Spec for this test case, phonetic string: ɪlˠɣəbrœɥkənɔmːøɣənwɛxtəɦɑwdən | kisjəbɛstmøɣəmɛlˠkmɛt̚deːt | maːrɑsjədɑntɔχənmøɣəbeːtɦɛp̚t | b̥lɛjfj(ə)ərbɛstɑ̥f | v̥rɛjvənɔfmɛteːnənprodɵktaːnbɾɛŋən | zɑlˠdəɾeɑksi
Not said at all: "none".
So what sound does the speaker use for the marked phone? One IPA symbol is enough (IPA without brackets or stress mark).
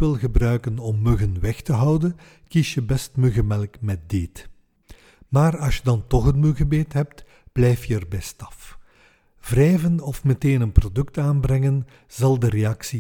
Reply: ə